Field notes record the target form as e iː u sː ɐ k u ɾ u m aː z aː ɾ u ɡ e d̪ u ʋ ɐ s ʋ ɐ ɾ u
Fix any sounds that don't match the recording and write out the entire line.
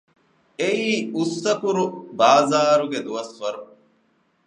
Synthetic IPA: e iː u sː ɐ k u ɾ u b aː z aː ɾ u ɡ e d̪ u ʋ ɐ s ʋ ɐ ɾ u